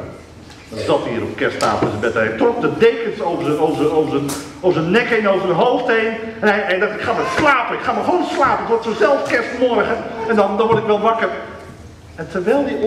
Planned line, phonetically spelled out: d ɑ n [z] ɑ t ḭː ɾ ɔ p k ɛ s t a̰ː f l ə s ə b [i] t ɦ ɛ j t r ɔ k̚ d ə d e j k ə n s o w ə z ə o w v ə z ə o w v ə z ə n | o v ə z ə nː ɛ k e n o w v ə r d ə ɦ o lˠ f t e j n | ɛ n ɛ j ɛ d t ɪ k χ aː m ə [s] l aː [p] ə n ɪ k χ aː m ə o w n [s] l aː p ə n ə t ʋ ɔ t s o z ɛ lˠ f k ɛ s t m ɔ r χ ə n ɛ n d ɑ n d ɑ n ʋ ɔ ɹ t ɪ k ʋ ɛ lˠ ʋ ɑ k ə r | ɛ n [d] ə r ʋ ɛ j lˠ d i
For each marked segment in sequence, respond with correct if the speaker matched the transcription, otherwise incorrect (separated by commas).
correct, incorrect, correct, correct, correct, incorrect